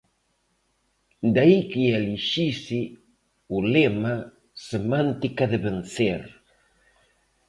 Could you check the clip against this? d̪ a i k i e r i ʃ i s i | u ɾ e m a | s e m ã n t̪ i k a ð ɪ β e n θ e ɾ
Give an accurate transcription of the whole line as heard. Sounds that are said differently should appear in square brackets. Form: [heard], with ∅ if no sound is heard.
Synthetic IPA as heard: d̪ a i k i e [l] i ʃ i s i | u [l] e m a | s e m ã n t̪ i k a ð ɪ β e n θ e ɾ